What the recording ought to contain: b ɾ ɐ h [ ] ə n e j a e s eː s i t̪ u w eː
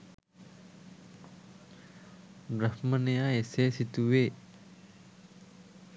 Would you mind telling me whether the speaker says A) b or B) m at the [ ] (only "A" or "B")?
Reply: B